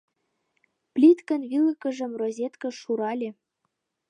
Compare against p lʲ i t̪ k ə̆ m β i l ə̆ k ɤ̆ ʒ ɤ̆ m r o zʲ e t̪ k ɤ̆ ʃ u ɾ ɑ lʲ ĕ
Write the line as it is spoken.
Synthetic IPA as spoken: p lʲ i t̪ k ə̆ n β i l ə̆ k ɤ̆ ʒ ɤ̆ m r o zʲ e t̪ k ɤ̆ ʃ u ɾ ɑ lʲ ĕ

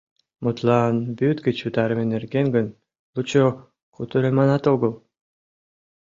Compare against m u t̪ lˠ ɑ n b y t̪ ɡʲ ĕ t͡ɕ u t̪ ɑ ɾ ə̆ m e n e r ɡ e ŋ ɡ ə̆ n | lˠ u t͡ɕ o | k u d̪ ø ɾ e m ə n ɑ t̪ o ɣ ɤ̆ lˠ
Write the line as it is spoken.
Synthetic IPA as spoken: m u t̪ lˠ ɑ n b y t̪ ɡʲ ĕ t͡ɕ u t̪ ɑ ɾ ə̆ m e n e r ɡ e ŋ ɡ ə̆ n | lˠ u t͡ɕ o | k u t̪ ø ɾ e m ɑ n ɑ t̪ o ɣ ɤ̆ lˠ

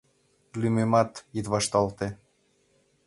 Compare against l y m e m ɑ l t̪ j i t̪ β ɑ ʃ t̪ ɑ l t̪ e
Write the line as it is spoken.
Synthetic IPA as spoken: l y m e m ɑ t̪ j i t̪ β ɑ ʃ t̪ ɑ l t̪ e

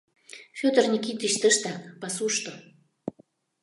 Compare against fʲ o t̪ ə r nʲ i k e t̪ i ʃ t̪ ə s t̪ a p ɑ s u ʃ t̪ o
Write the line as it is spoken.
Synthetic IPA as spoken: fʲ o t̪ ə r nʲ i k i t̪ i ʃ t̪ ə ʃ t̪ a p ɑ s u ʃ t̪ o

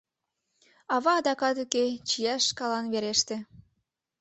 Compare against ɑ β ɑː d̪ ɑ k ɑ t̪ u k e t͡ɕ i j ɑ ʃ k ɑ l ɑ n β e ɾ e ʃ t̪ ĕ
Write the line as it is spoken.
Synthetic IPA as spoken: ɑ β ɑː d̪ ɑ k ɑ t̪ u k e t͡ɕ i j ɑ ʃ k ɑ l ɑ n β e ɾ e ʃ t̪ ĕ

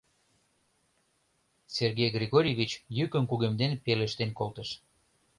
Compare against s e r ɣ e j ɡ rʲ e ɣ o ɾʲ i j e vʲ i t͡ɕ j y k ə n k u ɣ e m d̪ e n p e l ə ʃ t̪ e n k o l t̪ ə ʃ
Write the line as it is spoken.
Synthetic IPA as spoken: s e r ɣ e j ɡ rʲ e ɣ o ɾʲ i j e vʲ i t͡ɕ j y k ə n k u ɣ e m d̪ e n p e l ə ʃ t̪ e n k o l t̪ ə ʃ

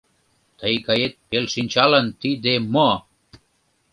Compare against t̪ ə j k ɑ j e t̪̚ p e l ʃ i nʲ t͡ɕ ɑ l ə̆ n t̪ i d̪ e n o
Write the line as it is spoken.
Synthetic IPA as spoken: t̪ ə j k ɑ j e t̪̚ p e l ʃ i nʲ t͡ɕ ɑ l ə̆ n t̪ i d̪ e m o

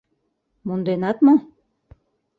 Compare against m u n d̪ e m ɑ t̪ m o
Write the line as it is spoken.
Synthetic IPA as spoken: m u n d̪ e n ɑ t̪ m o

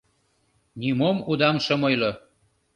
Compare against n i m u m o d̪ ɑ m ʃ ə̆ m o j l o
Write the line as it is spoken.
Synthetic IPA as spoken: n i m o m u d̪ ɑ m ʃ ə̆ m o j l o

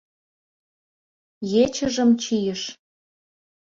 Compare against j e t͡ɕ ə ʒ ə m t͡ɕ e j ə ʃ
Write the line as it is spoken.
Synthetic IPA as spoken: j e t͡ɕ ə ʒ ə m t͡ɕ i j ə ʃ

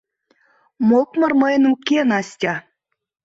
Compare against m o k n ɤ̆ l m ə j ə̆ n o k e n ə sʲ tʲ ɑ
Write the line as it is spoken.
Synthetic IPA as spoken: m o k m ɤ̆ r m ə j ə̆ n u k e n ɑ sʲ tʲ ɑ

